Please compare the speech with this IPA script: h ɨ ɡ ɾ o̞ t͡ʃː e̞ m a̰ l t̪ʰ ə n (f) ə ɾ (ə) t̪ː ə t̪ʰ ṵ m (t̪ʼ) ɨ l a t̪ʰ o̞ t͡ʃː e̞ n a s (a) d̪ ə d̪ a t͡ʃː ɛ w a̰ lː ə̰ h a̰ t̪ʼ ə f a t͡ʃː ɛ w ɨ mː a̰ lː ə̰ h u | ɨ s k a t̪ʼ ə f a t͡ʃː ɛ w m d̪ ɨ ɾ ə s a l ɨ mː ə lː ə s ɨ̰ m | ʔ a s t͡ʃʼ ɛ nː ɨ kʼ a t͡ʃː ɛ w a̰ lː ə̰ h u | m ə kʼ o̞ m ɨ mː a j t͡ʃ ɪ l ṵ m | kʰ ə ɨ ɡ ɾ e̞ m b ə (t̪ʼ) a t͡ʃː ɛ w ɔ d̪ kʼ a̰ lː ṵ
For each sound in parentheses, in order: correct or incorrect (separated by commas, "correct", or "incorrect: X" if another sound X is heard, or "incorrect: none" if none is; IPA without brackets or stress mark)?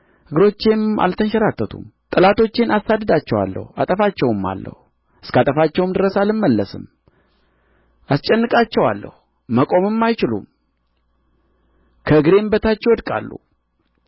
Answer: incorrect: ʃ, incorrect: a, correct, correct, incorrect: t̪